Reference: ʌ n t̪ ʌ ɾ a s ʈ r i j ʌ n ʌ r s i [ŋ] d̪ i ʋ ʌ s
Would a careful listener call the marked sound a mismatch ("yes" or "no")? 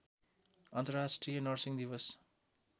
no